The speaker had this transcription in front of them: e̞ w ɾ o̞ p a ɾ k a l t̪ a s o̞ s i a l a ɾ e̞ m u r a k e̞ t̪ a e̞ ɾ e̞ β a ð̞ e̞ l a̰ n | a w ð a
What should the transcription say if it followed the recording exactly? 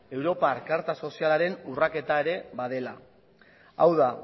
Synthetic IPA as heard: e̞ w ɾ o̞ p a ɾ k a ɾ t̪ a s o̞ s i a l a ɾ e̞ n u r a k e̞ t̪ a e̞ ɾ e̞ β a ð̞ e̞ l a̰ | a w ð a